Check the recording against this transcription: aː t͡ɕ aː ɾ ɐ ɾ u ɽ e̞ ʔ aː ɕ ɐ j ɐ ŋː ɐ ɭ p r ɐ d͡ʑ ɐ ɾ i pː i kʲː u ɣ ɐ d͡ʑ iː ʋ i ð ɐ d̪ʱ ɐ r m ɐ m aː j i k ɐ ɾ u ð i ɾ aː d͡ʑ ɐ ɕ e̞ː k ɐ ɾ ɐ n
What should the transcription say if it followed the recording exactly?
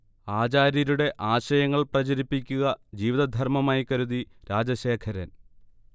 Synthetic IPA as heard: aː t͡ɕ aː ɾ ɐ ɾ u ɽ e̞ ʔ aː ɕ ɐ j ɐ ŋː ɐ ɭ p r ɐ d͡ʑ ɐ ɾ i pː i kʲː u ɣ ɐ d͡ʑ iː ʋ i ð ɐ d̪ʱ ɐ r m ɐ m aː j i k ɐ ɾ u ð i ɾ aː d͡ʑ ɐ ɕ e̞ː kʰ ɐ ɾ ɐ n